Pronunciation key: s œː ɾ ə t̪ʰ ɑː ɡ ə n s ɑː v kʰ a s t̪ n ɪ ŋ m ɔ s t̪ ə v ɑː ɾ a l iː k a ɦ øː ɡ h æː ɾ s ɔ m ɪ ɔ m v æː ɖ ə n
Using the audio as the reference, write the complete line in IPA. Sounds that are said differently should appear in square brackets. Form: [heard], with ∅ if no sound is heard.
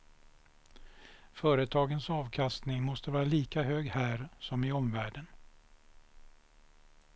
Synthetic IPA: [f] œː ɾ ə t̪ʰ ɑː ɡ ə n s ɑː v kʰ a s t̪ n ɪ ŋ m ɔ s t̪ ə v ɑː ɾ a l iː k a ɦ øː ɡ h æː ɾ s ɔ m ɪ ɔ m v æː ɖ ə n

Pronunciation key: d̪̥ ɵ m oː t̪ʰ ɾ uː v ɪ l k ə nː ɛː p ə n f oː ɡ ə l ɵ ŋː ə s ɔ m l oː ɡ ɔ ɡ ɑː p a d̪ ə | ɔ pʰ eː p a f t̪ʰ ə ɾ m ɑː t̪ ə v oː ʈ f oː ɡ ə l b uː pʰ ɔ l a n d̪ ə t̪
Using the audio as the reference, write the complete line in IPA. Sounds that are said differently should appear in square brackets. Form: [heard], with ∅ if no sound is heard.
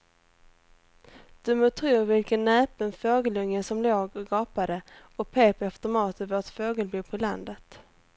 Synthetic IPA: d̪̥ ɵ m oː t̪ʰ ɾ uː v ɪ l k ə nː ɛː p ə n f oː ɡ ə l ɵ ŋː ə s ɔ m l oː ɡ ɔ ɡ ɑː p a d̪ ə | ɔ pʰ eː p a f [t̪] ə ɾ m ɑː t̪ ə v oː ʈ f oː ɡ ə l b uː pʰ ɔ l a n d̪ ə t̪

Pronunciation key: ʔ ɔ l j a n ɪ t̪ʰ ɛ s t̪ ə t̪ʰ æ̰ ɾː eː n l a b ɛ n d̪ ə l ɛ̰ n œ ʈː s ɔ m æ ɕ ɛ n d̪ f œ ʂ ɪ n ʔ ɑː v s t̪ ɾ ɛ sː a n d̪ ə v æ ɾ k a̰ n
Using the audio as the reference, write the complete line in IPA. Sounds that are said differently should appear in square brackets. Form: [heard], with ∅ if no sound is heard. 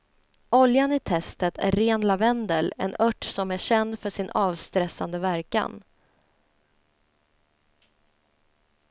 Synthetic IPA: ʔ ɔ l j a n ɪ t̪ʰ ɛ s t̪ ə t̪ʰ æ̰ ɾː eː n l a [v] ɛ n d̪ ə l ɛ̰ n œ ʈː s ɔ m æ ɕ ɛ n d̪ f œ ʂ ɪ n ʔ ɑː v s t̪ ɾ ɛ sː a n d̪ ə v æ ɾ k a̰ n

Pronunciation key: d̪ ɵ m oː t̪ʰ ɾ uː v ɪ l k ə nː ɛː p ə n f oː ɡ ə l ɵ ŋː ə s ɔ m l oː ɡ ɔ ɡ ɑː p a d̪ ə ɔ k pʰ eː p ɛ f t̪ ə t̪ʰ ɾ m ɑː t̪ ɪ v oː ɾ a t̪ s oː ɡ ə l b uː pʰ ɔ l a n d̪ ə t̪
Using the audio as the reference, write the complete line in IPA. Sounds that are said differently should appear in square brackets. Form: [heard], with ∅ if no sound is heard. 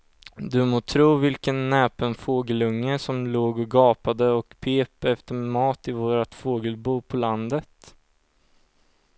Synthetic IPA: d̪ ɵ m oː t̪ʰ ɾ uː v ɪ l k ə nː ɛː p ə n f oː ɡ ə l ɵ ŋː ə s ɔ m l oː ɡ ɔ ɡ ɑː p a d̪ ə ɔ k pʰ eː p ɛ f t̪ ə [∅] ɾ m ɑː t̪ ɪ v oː ɾ a t̪ [f] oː ɡ ə l b uː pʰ ɔ l a n d̪ ə t̪

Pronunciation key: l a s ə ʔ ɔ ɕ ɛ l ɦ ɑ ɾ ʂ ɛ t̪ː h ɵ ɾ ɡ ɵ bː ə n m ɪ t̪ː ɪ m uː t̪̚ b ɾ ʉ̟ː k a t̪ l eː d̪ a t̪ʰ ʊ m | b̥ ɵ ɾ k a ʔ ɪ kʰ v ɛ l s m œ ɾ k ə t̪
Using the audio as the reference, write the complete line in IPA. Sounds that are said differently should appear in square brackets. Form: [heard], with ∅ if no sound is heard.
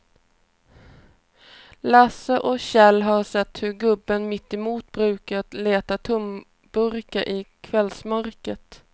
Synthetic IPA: l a s ə ʔ ɔ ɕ ɛ l ɦ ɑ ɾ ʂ ɛ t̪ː h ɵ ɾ ɡ ɵ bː ə n m ɪ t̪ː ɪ m uː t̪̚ b ɾ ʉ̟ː k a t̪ l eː [t̪] a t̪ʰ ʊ m | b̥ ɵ ɾ k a ʔ ɪ kʰ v ɛ l s m œ ɾ k ə t̪

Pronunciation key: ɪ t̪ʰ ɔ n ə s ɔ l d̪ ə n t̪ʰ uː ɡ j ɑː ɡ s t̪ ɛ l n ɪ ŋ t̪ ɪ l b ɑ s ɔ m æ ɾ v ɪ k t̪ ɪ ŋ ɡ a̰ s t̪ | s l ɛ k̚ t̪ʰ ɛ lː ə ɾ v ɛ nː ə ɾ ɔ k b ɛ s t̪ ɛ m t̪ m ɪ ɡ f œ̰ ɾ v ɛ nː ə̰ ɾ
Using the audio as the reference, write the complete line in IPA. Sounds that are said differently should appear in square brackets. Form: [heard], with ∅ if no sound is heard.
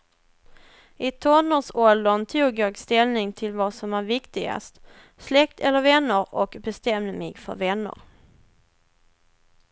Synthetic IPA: ɪ t̪ʰ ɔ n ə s ɔ l d̪ ə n t̪ʰ uː ɡ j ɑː ɡ s t̪ ɛ l n ɪ ŋ [t̪ʰ] ɪ l [v] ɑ s ɔ m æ ɾ v ɪ k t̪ ɪ [∅] ɡ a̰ s t̪ | s l ɛ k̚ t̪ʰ ɛ lː ə ɾ v ɛ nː ə ɾ ɔ k b ɛ s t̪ ɛ m [d̪] m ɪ ɡ f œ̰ ɾ v ɛ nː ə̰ ɾ

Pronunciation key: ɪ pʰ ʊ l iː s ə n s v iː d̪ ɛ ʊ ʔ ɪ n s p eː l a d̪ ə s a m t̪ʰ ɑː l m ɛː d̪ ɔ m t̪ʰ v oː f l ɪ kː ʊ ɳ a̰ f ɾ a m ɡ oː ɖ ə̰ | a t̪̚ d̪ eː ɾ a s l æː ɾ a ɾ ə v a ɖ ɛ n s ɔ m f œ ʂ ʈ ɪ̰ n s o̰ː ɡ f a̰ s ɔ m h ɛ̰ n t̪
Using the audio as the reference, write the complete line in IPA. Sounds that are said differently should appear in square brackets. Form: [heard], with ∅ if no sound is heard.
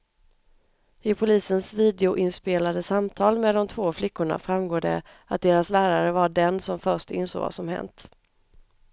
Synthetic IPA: ɪ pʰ ʊ l iː s ə n s v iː d̪ ɛ ʊ ʔ ɪ n s p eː l a d̪ ə s a m t̪ʰ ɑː l m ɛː d̪ ɔ m t̪ʰ v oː f l ɪ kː ʊ ɳ a̰ f ɾ a m ɡ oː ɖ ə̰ | a t̪̚ d̪ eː ɾ a s l æː ɾ a ɾ ə v a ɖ ɛ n s ɔ m f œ ʂ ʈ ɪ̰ n s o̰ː ɡ [v] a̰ s ɔ m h ɛ̰ n t̪

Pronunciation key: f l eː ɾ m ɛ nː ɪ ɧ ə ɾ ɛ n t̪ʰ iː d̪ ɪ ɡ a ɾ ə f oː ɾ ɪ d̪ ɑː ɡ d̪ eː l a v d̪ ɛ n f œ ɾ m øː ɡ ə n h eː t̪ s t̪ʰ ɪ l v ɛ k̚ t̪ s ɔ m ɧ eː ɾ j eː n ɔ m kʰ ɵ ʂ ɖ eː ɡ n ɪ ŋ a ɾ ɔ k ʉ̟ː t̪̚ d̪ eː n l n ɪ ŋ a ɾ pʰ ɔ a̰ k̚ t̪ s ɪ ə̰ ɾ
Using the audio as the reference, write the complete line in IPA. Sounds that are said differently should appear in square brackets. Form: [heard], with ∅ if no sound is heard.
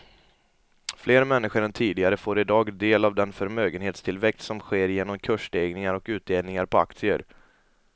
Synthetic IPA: f l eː ɾ m ɛ nː ɪ ɧ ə ɾ ɛ n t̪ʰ iː d̪ ɪ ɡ a ɾ ə f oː ɾ ɪ d̪ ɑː ɡ d̪ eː l a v d̪ ɛ n f œ ɾ m øː ɡ ə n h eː t̪ s t̪ʰ ɪ l v ɛ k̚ t̪ s ɔ m ɧ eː ɾ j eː n ɔ m kʰ ɵ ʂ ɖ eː ɡ n ɪ ŋ a ɾ ɔ k ʉ̟ː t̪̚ d̪ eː [∅] l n ɪ ŋ a ɾ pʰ ɔ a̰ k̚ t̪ s ɪ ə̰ ɾ

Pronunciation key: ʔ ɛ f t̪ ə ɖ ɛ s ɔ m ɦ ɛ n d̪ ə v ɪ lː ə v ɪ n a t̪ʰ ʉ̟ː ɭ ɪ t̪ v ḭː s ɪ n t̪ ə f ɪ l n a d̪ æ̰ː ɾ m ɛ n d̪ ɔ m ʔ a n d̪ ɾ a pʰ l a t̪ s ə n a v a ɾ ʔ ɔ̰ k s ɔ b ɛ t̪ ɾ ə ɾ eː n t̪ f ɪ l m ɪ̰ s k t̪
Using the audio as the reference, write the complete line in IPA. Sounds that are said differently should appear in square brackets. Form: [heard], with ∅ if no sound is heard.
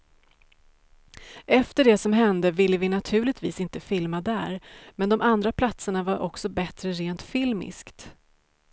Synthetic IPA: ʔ ɛ f t̪ ə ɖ ɛ s ɔ m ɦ ɛ n d̪ ə v ɪ lː ə v ɪ n a t̪ʰ ʉ̟ː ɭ ɪ t̪ v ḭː s ɪ n t̪ ə f ɪ l [m] a d̪ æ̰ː ɾ m ɛ n d̪ ɔ m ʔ a n d̪ ɾ a pʰ l a t̪ s ə [ɳ] a v a ɾ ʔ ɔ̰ k s ɔ b ɛ t̪ ɾ ə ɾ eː n t̪ f ɪ l m ɪ̰ s k t̪

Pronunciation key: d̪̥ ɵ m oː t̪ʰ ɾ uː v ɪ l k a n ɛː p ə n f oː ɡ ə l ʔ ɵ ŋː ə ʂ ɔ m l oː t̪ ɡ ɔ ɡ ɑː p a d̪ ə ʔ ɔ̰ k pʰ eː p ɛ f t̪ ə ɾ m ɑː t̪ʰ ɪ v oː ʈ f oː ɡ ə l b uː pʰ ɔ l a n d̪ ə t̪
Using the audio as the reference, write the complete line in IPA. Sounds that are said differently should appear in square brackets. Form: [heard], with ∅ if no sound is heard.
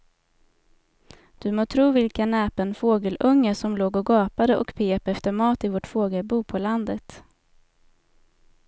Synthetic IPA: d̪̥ ɵ m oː t̪ʰ ɾ uː v ɪ l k a n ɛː p ə n f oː ɡ ə l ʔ ɵ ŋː ə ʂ ɔ m l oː [∅] ɡ ɔ ɡ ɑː p a d̪ ə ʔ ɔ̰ k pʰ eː p ɛ f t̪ ə ɾ m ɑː [t̪] ɪ v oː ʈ f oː ɡ ə l b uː pʰ ɔ l a n d̪ ə t̪

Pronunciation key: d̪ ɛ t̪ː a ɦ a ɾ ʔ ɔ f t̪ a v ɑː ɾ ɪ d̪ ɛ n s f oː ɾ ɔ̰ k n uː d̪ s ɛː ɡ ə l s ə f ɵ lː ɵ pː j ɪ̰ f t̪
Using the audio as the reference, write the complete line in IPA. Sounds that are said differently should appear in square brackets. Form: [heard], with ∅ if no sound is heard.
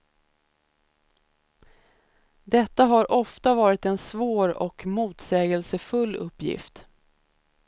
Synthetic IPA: d̪ ɛ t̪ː a ɦ a ɾ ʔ ɔ f t̪ a v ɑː ɾ ɪ [t̪] ɛ n s [v] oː ɾ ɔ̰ k [m] uː [t̪] s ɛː ɡ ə l s ə f ɵ lː ɵ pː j ɪ̰ f t̪

